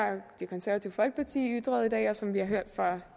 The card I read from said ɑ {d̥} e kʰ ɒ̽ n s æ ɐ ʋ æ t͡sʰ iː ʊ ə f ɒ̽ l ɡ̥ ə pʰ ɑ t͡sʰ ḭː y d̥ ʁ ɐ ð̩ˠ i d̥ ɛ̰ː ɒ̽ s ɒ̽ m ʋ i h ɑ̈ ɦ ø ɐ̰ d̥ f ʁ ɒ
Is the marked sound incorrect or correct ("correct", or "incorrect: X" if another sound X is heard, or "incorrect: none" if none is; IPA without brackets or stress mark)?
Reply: correct